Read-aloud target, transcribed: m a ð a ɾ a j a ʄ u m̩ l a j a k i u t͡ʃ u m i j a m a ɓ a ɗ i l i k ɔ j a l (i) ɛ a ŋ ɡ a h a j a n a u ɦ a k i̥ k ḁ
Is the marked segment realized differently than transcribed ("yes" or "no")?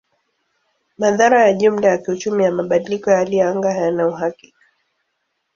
no